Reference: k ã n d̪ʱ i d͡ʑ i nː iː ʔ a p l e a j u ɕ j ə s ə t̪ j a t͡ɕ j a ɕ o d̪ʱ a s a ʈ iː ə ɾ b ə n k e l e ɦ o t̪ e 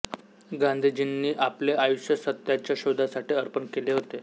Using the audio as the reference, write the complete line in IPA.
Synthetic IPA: ɡ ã n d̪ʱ i d͡ʑ i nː iː ʔ a p l e a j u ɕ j ə s ə t̪ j a t͡ɕ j a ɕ o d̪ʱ a s a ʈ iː ə ɾ p ə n k e l e ɦ o t̪ e